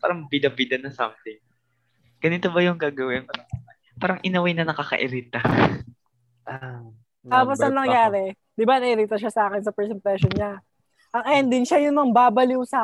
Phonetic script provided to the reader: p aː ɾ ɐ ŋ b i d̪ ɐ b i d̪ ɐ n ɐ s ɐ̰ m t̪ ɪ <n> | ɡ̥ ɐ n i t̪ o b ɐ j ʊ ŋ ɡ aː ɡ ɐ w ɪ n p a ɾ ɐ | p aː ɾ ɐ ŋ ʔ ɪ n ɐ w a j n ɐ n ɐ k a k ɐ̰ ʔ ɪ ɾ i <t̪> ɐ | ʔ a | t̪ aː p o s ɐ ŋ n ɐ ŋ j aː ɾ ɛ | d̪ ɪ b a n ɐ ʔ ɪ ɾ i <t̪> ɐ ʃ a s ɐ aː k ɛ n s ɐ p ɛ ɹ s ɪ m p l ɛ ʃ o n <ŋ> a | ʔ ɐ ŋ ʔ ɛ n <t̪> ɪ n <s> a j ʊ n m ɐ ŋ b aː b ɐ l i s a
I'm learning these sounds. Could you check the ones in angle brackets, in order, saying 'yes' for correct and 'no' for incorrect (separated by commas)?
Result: no, yes, yes, no, no, no